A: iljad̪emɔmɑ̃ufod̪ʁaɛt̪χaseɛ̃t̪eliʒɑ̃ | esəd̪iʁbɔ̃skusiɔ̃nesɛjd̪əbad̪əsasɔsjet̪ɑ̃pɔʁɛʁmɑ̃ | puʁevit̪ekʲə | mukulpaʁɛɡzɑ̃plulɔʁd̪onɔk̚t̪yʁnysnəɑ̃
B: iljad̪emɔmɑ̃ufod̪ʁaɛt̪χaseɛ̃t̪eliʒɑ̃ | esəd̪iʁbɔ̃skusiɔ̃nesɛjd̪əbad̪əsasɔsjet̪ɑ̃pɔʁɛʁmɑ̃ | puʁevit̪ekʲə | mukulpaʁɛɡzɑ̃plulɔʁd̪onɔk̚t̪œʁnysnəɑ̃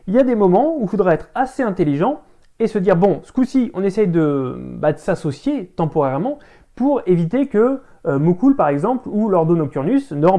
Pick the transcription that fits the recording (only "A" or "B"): A